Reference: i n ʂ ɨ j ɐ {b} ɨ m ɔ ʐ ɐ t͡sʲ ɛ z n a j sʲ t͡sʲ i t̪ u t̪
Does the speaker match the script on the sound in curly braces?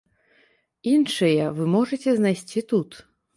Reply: no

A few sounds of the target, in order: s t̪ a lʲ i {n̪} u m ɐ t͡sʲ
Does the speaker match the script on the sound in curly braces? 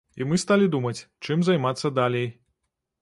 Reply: no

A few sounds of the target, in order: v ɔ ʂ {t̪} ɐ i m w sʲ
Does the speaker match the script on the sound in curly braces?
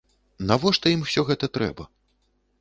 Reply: yes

